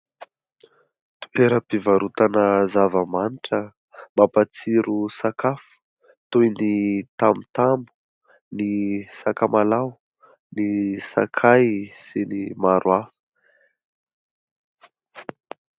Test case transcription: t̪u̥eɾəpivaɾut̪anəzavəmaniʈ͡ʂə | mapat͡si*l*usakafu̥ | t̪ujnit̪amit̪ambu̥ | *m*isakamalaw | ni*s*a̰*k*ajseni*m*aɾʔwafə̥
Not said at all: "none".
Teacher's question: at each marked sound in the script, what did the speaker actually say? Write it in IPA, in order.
ɾ, n, s, kʰ, m

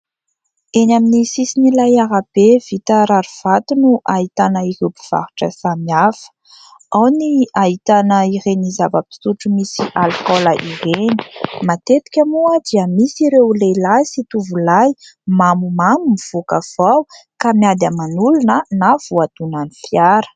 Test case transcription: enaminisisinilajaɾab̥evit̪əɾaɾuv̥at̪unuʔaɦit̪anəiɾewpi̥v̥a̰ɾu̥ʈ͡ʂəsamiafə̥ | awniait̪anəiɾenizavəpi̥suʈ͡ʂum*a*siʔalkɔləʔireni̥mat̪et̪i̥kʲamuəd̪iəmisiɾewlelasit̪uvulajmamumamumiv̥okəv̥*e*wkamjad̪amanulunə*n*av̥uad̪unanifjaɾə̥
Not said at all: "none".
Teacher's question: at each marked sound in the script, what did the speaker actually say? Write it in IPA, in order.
i, a, n

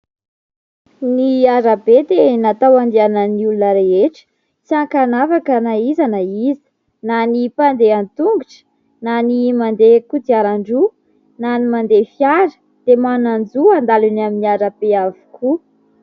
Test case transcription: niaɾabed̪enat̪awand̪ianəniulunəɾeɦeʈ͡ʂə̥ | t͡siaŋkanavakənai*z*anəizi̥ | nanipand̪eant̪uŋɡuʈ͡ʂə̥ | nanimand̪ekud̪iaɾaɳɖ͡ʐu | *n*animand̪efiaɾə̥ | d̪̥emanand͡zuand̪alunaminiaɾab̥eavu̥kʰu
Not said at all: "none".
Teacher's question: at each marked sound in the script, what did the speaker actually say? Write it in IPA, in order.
z, n

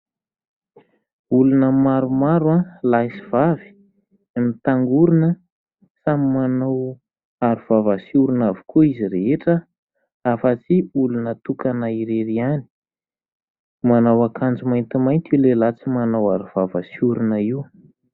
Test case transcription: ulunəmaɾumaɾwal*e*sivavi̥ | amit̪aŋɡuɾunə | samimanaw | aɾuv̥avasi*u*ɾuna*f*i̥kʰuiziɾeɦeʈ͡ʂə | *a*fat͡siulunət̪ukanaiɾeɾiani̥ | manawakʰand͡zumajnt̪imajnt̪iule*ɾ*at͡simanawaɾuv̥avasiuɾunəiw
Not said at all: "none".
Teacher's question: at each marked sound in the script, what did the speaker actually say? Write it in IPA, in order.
a, u, v, a, l

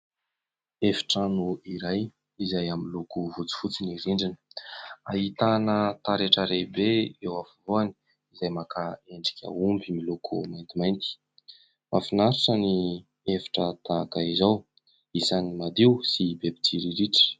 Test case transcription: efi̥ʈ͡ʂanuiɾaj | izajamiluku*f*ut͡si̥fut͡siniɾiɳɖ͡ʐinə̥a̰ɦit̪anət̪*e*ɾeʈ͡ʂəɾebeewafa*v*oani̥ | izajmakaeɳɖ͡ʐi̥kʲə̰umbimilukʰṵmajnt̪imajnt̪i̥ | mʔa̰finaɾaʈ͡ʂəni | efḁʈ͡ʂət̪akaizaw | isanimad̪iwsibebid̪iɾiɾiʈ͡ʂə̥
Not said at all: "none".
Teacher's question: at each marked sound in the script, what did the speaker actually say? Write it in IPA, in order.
v, a, v

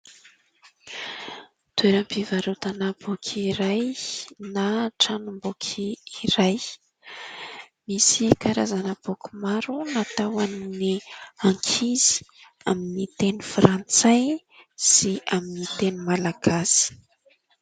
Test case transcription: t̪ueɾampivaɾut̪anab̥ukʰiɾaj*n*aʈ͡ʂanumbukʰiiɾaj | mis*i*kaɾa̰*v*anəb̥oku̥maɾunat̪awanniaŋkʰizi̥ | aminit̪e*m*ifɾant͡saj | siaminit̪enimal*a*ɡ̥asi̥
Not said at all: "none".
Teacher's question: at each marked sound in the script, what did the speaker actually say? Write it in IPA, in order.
n, i, z, n, a

